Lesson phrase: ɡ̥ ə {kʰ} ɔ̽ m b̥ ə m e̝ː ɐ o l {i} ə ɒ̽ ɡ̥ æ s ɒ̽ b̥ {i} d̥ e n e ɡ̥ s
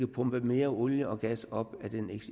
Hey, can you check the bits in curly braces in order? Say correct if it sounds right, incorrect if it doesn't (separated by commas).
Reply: incorrect, incorrect, incorrect